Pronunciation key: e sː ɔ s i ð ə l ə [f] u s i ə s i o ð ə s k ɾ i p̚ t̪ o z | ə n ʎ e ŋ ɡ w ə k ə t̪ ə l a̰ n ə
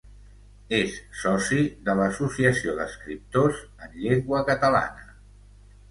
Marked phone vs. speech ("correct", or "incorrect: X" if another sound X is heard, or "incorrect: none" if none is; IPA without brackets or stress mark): incorrect: s